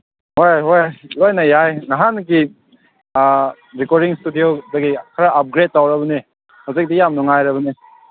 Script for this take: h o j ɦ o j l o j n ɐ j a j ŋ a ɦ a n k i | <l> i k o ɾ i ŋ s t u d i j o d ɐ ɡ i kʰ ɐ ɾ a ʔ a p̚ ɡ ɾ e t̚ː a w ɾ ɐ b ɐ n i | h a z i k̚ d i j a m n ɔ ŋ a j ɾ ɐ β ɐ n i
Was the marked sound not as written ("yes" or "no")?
yes